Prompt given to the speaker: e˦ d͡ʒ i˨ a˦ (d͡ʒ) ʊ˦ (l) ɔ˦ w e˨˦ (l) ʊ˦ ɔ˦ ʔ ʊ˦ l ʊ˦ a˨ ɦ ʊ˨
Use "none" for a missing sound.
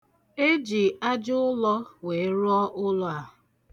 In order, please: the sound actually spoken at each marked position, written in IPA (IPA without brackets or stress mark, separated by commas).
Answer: d͡ʒ, l, ɾ